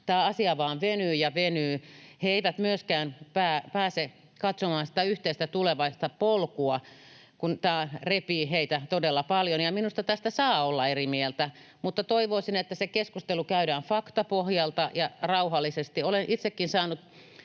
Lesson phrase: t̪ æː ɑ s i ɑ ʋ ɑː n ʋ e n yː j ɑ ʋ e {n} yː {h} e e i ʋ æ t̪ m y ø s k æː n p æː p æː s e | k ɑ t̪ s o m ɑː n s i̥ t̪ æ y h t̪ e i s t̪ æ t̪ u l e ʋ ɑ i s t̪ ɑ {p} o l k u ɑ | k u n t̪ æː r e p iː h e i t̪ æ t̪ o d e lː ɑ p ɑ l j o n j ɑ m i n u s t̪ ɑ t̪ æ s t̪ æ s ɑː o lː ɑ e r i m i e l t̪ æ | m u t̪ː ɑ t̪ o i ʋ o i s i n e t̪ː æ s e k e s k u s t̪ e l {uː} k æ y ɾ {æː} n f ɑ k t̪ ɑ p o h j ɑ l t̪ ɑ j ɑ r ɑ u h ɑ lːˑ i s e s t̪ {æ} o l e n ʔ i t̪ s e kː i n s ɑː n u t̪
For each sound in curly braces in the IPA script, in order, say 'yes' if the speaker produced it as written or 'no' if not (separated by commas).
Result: yes, yes, yes, no, yes, no